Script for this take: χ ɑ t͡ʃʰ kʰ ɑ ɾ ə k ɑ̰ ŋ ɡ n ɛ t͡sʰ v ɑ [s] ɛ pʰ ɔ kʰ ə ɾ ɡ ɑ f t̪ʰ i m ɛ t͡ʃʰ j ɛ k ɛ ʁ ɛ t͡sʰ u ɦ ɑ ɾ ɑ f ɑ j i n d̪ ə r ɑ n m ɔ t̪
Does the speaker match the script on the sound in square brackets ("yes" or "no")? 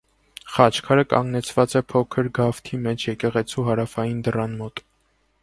no